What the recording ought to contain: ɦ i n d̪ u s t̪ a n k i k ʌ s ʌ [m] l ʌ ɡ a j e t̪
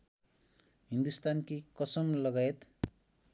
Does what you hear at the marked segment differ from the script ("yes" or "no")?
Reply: no